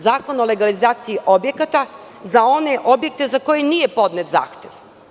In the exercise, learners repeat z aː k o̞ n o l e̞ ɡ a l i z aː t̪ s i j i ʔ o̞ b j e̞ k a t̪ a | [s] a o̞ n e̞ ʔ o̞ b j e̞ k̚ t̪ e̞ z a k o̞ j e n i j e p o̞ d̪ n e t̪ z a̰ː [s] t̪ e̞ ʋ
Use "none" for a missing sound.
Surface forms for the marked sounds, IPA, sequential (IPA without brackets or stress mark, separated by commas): z, x